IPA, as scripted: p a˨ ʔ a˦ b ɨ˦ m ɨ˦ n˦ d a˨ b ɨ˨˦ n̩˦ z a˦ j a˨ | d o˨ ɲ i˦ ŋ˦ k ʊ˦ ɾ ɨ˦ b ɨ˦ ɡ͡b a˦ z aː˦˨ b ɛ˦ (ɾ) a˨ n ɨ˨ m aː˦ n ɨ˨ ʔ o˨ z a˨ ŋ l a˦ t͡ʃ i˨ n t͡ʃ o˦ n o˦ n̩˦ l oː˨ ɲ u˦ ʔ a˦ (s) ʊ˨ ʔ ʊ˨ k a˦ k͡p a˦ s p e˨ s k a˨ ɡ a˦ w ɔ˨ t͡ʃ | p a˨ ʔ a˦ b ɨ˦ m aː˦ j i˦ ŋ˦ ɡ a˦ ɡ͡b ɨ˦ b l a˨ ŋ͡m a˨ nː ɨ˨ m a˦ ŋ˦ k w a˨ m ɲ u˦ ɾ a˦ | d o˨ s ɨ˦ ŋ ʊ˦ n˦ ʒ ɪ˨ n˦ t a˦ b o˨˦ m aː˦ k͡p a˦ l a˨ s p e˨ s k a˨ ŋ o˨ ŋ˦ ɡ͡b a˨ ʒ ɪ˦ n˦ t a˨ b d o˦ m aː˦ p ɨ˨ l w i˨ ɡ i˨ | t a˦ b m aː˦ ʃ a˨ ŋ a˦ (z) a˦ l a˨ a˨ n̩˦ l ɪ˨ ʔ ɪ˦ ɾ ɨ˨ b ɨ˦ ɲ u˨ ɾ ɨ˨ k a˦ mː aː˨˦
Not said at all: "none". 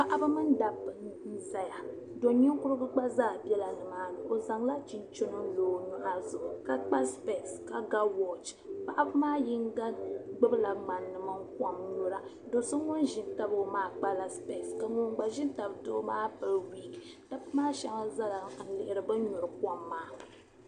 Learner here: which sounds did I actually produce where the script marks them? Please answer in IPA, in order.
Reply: l, z, z

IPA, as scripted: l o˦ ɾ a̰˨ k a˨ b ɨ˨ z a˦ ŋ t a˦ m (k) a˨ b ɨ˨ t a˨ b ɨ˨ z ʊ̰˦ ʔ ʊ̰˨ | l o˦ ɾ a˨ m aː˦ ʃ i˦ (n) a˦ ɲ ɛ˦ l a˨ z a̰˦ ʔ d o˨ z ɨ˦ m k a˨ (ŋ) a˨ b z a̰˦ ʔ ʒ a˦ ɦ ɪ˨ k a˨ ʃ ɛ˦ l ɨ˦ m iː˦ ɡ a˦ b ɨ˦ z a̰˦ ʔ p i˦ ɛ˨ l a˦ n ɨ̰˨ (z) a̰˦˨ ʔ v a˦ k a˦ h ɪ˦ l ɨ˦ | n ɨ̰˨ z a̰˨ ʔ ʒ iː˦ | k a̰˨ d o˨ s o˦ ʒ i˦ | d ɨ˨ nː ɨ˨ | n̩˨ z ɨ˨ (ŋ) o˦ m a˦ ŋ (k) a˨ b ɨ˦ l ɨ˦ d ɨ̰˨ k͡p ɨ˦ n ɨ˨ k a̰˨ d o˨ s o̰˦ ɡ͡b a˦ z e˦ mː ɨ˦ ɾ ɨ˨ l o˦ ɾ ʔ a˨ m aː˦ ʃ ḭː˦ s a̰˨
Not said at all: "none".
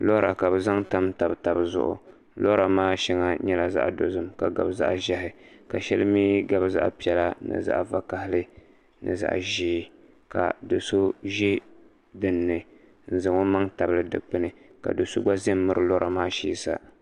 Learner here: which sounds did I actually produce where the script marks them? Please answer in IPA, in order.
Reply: t, ŋ, ɡ, z, ŋ, t

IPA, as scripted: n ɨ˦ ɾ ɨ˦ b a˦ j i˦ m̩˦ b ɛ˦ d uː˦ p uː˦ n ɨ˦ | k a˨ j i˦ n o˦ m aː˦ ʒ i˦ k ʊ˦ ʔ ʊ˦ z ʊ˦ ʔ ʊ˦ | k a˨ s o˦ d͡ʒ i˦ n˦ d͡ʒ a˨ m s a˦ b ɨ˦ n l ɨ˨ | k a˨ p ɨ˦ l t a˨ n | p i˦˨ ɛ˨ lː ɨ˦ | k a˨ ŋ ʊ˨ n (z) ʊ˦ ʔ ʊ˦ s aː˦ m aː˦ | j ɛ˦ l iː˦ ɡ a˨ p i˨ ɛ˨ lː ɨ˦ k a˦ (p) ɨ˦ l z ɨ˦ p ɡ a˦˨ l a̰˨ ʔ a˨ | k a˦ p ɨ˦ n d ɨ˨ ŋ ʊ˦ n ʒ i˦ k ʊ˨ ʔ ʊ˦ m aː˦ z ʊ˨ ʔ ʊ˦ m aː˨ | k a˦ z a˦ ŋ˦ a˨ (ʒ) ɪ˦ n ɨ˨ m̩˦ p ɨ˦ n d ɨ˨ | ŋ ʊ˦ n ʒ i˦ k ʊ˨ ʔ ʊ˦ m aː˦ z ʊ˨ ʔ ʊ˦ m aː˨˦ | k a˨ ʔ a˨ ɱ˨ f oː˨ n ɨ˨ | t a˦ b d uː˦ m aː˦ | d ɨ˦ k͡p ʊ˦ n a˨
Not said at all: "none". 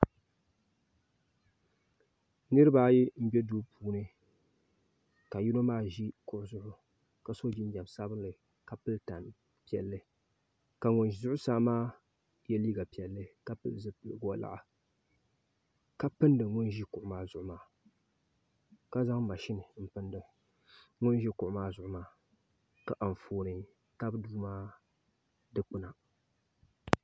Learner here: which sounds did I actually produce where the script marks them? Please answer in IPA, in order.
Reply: z, p, ʃ

